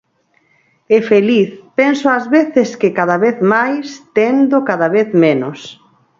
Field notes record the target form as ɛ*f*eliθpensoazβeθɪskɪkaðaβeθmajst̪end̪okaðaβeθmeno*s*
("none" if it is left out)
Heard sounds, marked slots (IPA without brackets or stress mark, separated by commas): f, s